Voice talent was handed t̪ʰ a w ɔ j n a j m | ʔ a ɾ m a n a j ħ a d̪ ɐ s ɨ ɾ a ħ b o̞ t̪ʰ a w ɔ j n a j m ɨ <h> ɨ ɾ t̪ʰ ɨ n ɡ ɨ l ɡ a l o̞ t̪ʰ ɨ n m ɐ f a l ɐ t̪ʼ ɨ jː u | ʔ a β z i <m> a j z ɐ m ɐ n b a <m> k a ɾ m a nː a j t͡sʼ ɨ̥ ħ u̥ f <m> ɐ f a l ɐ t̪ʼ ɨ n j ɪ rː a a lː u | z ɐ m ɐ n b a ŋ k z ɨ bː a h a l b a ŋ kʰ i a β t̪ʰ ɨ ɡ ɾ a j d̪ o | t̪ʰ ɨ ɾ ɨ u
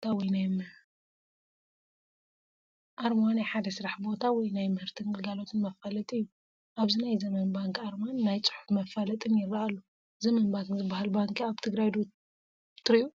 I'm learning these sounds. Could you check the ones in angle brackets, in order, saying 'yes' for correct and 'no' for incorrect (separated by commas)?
yes, no, no, yes